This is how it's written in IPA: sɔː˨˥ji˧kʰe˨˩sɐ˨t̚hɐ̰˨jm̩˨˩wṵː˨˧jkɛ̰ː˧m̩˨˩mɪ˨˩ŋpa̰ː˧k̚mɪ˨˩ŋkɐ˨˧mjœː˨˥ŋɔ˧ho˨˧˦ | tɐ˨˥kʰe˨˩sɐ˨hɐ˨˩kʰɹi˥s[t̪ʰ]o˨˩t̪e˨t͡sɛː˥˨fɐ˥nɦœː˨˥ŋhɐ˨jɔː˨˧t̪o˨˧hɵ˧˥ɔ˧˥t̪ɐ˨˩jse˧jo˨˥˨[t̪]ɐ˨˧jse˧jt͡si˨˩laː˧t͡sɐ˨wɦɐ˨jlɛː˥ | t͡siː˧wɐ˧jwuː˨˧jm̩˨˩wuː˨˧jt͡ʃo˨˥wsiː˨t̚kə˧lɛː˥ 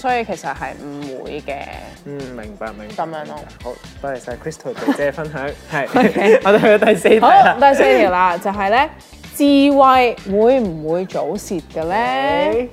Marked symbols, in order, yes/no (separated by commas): yes, yes